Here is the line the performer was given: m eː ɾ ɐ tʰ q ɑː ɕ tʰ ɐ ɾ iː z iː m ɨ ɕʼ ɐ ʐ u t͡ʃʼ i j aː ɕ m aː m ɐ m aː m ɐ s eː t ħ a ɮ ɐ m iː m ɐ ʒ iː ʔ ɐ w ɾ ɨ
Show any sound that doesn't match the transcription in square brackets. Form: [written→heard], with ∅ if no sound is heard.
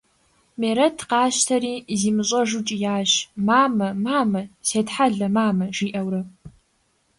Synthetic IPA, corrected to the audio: m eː ɾ ɐ tʰ q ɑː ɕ tʰ ɐ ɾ iː z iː m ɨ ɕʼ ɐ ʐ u t͡ʃʼ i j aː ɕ m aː m ɐ m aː m ɐ s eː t ħ a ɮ ɐ m [iː→aː] m ɐ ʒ iː ʔ ɐ w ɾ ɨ